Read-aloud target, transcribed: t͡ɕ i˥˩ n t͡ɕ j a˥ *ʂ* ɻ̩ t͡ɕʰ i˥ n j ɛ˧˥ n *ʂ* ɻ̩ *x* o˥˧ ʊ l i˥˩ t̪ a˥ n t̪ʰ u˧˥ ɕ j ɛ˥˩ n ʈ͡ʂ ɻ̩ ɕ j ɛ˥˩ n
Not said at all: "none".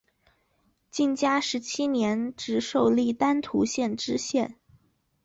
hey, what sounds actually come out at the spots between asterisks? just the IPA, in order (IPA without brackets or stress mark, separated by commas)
ʂ, ʈ͡ʂ, ʂ